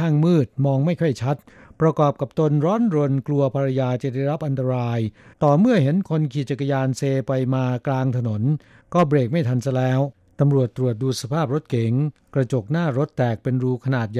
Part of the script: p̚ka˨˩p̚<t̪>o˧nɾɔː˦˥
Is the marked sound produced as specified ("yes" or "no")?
yes